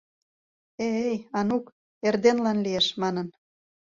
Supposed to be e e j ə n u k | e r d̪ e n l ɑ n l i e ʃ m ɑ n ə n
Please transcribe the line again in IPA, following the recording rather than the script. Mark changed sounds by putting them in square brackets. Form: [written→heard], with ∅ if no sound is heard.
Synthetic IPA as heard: e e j [ə→ɑ] n u k | e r d̪ e n l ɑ n l i e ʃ m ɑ n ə n